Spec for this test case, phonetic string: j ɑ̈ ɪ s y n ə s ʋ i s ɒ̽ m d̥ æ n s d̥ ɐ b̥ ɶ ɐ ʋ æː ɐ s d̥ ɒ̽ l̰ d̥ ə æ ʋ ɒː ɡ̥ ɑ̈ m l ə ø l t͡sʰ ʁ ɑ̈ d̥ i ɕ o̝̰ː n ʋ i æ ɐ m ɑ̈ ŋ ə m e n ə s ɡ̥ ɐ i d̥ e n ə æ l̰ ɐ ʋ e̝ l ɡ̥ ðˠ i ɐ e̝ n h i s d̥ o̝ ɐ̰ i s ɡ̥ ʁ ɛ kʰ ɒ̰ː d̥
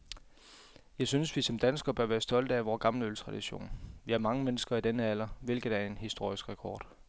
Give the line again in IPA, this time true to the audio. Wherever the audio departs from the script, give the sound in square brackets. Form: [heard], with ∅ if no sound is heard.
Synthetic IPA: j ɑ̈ ɪ s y n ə s ʋ i s ɒ̽ m d̥ æ n s [ɡ̥] ɐ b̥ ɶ ɐ ʋ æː ɐ s d̥ ɒ̽ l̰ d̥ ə æ ʋ ɒː ɡ̥ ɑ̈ m l ə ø l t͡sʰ ʁ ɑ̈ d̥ i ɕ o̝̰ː n ʋ i æ ɐ m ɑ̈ ŋ ə m e n ə s ɡ̥ ɐ i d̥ e n ə æ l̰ ɐ ʋ e̝ l ɡ̥ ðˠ [æ] ɐ e̝ n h i s d̥ o̝ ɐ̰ i s ɡ̥ ʁ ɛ kʰ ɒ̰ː d̥